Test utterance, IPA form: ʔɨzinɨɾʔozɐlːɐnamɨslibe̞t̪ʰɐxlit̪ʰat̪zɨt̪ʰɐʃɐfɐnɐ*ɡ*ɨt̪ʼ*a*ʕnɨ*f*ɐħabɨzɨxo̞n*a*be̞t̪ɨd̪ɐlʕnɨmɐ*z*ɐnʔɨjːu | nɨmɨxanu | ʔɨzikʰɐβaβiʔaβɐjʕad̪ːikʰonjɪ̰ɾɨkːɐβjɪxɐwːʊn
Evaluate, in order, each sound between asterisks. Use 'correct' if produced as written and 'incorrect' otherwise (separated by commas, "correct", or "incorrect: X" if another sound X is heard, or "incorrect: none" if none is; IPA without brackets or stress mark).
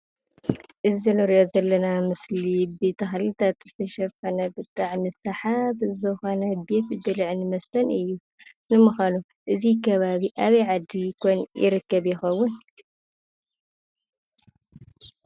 incorrect: b, correct, incorrect: s, incorrect: ɐ, incorrect: s